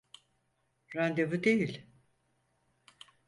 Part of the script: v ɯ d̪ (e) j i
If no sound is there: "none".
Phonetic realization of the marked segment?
e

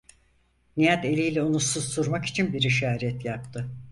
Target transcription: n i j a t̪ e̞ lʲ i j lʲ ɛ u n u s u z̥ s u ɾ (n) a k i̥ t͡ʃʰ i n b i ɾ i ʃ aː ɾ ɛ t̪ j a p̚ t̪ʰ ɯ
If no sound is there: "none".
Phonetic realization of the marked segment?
m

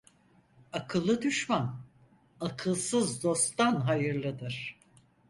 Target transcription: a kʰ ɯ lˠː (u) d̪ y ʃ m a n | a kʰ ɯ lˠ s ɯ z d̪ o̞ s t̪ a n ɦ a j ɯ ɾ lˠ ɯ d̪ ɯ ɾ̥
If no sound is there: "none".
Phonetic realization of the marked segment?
ɯ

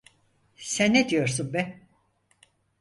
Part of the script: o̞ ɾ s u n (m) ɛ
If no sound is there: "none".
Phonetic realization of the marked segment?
b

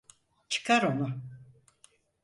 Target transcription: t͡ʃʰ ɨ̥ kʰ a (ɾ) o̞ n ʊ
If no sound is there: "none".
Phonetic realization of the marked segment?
ɾ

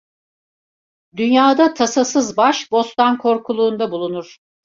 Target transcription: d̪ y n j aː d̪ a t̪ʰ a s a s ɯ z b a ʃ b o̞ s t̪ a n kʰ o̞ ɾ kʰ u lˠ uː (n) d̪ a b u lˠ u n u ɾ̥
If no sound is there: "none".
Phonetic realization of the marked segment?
n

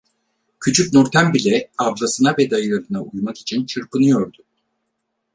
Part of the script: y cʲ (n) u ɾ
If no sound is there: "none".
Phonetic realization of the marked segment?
n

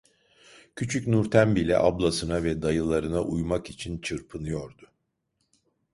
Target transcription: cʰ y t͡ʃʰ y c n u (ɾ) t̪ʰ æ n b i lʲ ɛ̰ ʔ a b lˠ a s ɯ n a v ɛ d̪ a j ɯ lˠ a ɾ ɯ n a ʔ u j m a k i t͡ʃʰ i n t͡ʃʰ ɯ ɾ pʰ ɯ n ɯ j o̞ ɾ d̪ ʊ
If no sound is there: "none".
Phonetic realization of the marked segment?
ɾ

